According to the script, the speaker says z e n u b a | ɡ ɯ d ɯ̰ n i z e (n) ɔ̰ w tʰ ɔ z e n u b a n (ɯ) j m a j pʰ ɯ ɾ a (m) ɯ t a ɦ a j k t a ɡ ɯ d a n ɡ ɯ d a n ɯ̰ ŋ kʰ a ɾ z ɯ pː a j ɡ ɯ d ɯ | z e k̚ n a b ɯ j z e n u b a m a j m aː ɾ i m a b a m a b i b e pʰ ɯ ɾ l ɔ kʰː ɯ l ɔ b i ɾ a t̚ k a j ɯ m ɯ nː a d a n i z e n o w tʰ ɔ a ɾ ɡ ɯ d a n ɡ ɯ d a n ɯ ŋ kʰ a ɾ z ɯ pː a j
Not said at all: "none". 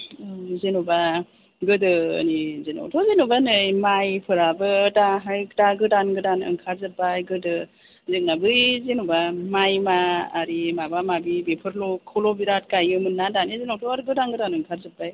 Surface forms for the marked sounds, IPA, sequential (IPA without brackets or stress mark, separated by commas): n, ɯ, b